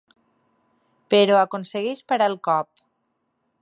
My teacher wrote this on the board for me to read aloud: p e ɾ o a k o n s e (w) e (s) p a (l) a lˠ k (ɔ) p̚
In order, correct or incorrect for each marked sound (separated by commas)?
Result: incorrect, incorrect, incorrect, correct